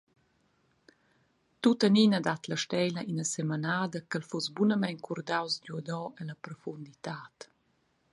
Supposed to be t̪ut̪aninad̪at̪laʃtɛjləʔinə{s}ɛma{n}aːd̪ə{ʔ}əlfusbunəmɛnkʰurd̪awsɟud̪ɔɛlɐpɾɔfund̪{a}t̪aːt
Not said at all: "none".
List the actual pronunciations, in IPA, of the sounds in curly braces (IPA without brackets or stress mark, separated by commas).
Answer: s, n, k, i